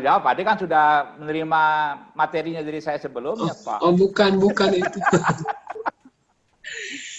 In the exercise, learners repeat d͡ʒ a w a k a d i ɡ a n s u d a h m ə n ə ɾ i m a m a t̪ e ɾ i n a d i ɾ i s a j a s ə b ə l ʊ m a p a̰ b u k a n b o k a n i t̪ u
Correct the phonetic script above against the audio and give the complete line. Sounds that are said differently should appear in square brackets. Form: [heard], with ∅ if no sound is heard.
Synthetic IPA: d͡ʒ a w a [p] a d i [k] a n s u d a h m ə n ə ɾ i m a m a t̪ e ɾ i [ɲ] a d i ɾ i s a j a s ə b ə l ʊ m a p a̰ b u k a n b [u] k a n i t̪ u